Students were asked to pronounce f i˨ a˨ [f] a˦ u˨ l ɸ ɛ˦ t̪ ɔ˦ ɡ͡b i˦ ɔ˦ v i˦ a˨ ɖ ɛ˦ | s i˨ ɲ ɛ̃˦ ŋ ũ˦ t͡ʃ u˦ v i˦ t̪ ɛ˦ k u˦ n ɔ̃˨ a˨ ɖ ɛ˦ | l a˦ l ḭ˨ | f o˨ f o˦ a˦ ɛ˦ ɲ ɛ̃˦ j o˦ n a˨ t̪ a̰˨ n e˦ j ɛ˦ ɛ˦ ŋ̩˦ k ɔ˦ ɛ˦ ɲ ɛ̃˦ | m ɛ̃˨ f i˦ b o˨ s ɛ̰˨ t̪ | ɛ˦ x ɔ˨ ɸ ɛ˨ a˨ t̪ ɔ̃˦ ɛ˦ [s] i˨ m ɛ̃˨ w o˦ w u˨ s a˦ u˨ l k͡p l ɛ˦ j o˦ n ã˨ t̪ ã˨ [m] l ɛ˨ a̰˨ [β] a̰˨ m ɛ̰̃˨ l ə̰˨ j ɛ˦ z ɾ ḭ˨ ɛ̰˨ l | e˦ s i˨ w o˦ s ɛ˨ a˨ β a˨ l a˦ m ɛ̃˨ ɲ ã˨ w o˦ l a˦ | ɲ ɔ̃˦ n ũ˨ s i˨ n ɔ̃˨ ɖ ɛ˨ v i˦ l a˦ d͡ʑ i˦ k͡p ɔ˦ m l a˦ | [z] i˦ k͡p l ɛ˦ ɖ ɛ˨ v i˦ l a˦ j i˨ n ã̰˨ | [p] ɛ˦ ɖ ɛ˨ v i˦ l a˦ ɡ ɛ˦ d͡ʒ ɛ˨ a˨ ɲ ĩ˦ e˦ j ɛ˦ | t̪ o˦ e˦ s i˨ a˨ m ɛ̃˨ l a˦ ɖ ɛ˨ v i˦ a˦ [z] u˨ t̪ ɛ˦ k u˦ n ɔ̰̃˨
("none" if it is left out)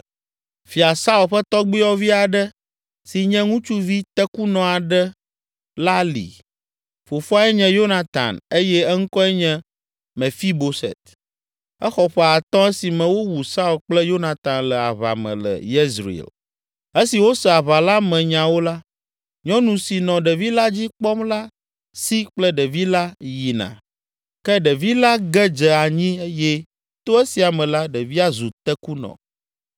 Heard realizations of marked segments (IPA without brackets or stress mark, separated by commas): s, s, n, β, s, k, z